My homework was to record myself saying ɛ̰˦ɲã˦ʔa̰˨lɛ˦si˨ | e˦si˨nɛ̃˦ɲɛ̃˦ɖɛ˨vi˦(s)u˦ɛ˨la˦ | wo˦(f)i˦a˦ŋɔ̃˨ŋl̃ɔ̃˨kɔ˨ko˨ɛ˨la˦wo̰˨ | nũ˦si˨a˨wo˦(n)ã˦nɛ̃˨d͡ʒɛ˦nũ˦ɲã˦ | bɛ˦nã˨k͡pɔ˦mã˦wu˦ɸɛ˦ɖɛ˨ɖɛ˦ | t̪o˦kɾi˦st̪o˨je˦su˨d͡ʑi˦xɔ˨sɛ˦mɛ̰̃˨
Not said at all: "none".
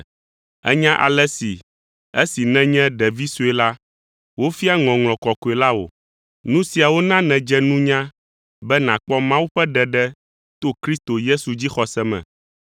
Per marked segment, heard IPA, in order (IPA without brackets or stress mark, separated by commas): s, f, n